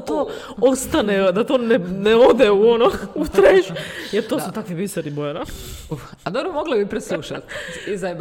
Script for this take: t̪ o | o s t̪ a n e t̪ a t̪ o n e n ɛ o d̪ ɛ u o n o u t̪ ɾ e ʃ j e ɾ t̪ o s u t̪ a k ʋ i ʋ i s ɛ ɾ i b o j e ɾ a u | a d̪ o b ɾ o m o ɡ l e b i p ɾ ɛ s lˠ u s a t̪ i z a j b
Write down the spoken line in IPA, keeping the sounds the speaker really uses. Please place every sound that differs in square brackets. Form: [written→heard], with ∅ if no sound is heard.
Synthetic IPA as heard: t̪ o | o s t̪ a n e [t̪→d̪] a t̪ o n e n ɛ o d̪ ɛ u o n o u t̪ ɾ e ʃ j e ɾ t̪ o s u t̪ a k ʋ i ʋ i s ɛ ɾ i b o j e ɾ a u | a d̪ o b ɾ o m o ɡ l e b i p ɾ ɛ s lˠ u [s→ʃ] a t̪ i z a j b